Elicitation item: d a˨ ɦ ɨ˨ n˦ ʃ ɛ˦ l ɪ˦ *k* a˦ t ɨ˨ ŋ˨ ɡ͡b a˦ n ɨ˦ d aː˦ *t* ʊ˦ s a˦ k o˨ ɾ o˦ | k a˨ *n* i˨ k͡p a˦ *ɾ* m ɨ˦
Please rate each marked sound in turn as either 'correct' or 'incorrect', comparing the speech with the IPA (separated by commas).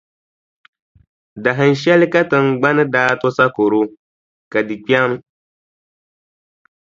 correct, correct, incorrect, incorrect